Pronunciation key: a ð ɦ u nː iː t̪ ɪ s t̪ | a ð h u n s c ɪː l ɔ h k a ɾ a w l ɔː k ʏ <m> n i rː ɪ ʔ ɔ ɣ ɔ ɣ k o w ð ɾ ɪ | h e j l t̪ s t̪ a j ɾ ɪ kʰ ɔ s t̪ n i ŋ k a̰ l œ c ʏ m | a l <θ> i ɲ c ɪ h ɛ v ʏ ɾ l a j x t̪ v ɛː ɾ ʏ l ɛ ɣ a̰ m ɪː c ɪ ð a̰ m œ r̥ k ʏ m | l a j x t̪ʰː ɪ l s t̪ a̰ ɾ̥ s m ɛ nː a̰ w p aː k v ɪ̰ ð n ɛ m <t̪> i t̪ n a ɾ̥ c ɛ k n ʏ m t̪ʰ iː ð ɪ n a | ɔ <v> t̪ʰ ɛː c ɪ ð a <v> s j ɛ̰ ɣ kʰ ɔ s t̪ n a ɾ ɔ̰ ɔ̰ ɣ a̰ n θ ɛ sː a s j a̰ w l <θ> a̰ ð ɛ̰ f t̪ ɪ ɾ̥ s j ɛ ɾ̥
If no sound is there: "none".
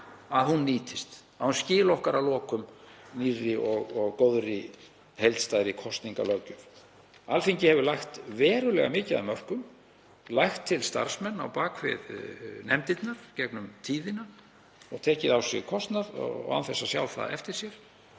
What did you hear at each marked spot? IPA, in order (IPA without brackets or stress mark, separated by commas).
m, f, t̪, ɣ, w, θ